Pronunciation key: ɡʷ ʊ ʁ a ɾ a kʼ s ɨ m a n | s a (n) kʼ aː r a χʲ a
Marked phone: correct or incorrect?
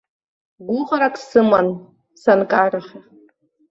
correct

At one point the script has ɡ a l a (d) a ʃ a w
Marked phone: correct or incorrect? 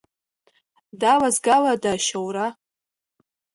correct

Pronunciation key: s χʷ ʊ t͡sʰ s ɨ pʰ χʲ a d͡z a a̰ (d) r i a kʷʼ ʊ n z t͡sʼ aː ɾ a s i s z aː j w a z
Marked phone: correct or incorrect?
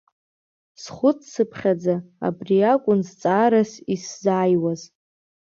incorrect: b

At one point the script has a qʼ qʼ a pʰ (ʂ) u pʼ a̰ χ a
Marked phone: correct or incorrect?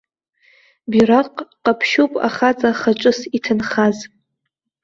incorrect: ʃ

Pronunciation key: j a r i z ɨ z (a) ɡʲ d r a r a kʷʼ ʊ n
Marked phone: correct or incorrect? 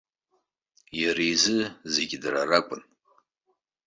incorrect: e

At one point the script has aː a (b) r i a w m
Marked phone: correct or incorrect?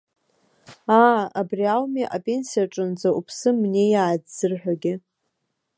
correct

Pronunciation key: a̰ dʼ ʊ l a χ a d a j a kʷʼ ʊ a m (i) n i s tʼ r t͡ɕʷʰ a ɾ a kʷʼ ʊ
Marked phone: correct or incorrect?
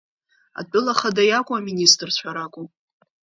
correct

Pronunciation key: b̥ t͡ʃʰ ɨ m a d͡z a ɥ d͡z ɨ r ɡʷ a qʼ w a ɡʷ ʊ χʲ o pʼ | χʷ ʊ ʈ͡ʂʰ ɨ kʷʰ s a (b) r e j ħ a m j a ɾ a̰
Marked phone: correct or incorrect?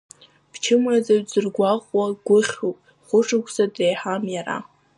incorrect: d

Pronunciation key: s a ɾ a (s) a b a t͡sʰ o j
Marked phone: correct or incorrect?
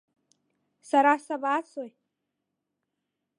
correct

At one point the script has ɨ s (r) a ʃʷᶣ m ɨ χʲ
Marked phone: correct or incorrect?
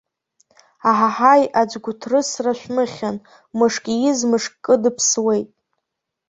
correct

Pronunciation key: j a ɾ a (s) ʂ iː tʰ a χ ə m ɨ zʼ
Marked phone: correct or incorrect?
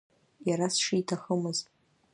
correct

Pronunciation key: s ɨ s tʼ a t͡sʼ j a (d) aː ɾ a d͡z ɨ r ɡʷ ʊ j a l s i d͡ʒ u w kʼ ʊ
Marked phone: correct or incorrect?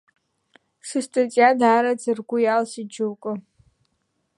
correct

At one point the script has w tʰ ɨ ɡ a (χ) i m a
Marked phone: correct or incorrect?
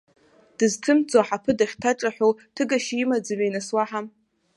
incorrect: ʃ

